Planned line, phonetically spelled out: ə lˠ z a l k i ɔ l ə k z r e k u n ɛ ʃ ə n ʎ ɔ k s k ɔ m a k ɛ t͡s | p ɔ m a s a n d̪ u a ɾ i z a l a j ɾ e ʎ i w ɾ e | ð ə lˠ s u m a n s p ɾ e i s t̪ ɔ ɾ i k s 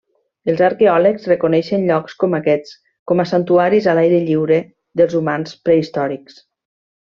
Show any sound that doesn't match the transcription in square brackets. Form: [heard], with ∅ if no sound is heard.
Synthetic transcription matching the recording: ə lˠ z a [ɾ] k [e] ɔ l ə k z r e k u n ɛ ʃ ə n ʎ ɔ k s k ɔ m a k ɛ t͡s | [k] ɔ m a s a n [t̪] u a ɾ i z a l a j ɾ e ʎ i w ɾ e | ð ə lˠ [z] u m a n s p ɾ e i s t̪ ɔ ɾ i k s

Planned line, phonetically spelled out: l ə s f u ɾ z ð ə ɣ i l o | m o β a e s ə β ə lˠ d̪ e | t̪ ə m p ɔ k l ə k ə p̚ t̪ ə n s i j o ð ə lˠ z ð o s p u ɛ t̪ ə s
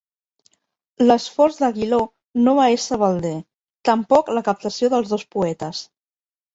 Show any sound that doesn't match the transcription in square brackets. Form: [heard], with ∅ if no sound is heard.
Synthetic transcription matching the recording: l ə s f [ɔ] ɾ z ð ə ɣ i l o | [n] o β a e s ə β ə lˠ d̪ e | t̪ ə m p ɔ k l ə k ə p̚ t̪ ə [∅] s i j o ð ə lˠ z ð o s p u ɛ t̪ ə s

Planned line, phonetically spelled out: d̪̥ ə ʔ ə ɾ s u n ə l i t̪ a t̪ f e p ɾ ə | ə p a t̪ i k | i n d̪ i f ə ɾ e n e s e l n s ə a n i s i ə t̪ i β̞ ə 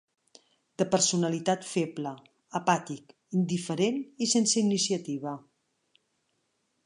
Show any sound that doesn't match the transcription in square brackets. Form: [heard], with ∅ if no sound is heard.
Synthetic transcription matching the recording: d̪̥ ə [p] ə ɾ s u n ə l i t̪ a t̪ f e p [l] ə | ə p a t̪ i k | i n d̪ i f ə ɾ e n [i] s e [∅] n s ə [i] n i s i ə t̪ i β̞ ə

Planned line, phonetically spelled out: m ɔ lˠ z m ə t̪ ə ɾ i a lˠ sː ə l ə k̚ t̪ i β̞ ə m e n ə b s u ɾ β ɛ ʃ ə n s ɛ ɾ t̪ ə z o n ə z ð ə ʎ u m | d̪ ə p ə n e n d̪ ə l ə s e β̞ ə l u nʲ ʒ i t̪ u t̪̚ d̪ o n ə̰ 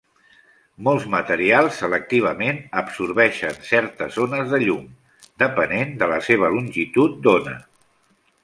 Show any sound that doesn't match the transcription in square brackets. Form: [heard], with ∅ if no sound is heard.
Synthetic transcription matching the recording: m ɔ lˠ z m ə t̪ ə ɾ i a lˠ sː ə l ə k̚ t̪ i β̞ ə m e n ə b s u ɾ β ɛ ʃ ə n s ɛ ɾ t̪ ə z o n ə z ð ə ʎ u m | d̪ ə p ə n e n d̪ ə l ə s e β̞ ə l u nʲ ʒ i t̪ u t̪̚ d̪ o n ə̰

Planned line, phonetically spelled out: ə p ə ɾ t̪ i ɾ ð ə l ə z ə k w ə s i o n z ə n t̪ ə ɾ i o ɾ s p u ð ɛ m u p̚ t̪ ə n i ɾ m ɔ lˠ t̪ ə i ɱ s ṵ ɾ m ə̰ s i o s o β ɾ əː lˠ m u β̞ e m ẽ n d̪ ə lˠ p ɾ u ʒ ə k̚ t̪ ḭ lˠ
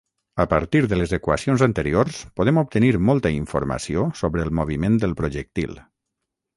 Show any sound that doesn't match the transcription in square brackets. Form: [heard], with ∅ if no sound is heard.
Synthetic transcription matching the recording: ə p ə ɾ t̪ i ɾ ð ə l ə z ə k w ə s i o n z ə n t̪ ə ɾ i o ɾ s p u ð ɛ m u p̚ t̪ ə n i ɾ m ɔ lˠ t̪ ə i ɱ [f] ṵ ɾ m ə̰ s i o s o β ɾ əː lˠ m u β̞ [i] m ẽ n d̪ ə lˠ p ɾ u ʒ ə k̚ t̪ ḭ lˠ

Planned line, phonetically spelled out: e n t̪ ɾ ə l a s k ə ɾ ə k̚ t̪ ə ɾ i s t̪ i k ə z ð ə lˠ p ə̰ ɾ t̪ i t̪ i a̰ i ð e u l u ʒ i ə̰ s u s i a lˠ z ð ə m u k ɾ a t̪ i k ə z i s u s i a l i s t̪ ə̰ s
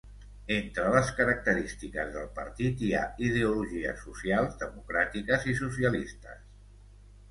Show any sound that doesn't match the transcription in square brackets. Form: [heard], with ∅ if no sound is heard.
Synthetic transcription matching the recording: e n t̪ ɾ ə l [ə] s k ə ɾ ə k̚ t̪ ə ɾ i s t̪ i k ə z ð ə lˠ p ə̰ ɾ t̪ i t̪ i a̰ i ð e u l u ʒ i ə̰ s u s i a lˠ z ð ə m u k ɾ a t̪ i k ə z i s u s i [ə] l i s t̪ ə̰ s

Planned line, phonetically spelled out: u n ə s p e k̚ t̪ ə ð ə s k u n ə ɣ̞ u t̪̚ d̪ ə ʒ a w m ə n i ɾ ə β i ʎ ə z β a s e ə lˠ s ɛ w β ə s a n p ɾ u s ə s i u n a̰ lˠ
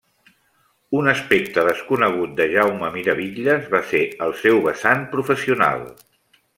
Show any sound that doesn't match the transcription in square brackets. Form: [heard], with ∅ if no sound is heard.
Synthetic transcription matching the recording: u n ə s p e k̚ t̪ ə ð ə s k u n ə ɣ̞ u t̪̚ d̪ ə ʒ a w m ə [m] i ɾ ə β i ʎ ə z β a s e ə lˠ s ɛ w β ə s a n p ɾ u [f] ə s i u n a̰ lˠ

